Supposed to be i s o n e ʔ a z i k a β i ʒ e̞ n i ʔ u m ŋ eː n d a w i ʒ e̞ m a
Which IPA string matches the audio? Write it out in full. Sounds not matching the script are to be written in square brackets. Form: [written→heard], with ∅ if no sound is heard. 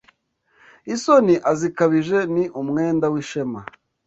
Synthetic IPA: i s o n [e→i] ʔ a z i k a β i ʒ e̞ n i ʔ u m ŋ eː n d a w i [ʒ→ʃ] e̞ m a